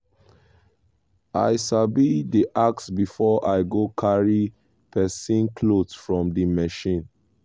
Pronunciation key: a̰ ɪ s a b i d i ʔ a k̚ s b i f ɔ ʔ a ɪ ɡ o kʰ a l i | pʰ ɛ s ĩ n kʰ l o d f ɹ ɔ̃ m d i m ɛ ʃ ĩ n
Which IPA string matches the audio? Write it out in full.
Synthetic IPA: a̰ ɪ s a b i d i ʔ a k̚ s b i f ɔ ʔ a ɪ ɡ o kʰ a ɹ i | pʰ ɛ s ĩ n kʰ l o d f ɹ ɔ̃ m d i m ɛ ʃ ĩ n